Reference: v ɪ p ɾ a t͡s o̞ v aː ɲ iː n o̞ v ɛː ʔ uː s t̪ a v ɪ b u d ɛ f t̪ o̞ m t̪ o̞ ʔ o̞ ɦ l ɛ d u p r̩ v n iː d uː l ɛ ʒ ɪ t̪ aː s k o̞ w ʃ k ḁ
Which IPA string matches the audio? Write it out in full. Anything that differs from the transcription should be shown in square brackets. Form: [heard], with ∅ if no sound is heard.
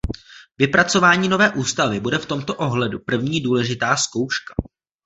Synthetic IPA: v ɪ p ɾ a t͡s o̞ v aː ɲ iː n o̞ v ɛː ʔ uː s t̪ a v ɪ b u d ɛ f t̪ o̞ m t̪ o̞ ʔ o̞ ɦ l ɛ d u p r̩ v [ɲ] iː d uː l ɛ ʒ ɪ t̪ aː s k o̞ w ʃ k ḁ